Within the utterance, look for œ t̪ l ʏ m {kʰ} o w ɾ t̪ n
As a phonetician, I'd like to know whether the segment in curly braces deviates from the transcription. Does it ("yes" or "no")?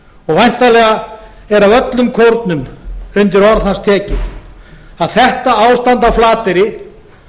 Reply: no